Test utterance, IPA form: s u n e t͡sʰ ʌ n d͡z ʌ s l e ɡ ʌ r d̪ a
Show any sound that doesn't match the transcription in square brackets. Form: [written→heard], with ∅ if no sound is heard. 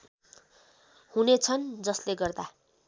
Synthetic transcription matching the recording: [s→h] u n e t͡sʰ ʌ n d͡z ʌ s l e ɡ ʌ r d̪ a